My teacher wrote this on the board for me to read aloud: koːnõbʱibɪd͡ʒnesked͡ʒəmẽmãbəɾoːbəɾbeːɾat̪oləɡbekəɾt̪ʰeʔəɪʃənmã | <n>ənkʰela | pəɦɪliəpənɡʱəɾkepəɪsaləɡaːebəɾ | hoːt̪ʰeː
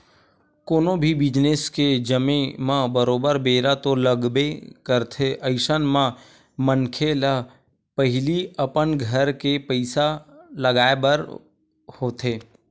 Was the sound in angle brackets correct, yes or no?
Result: no